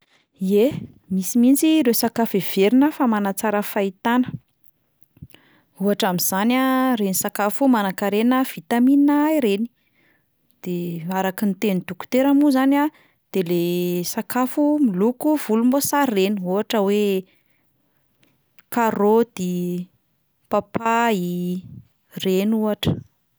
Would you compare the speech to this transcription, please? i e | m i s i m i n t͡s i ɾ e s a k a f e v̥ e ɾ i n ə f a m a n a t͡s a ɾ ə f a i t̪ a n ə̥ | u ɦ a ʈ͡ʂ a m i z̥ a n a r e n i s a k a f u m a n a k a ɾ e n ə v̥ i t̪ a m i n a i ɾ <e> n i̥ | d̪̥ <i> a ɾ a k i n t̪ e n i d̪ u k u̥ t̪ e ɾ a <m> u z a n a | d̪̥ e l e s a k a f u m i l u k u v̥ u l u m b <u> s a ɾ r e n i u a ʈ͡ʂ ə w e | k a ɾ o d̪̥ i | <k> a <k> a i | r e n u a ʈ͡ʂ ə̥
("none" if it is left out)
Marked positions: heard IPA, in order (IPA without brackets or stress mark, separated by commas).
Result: e, e, m, o, p, p